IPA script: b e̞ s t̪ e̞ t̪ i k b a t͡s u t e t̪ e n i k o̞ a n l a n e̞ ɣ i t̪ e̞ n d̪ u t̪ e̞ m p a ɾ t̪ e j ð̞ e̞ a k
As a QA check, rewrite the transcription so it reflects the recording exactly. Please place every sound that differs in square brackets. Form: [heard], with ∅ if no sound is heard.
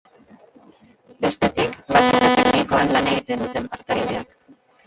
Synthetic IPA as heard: b e̞ s t̪ e̞ t̪ i k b a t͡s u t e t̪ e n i k o̞ a n l a n e̞ ɣ i t̪ e̞ n d̪ u t̪ e̞ m p a ɾ t̪ [a] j ð̞ e̞ a k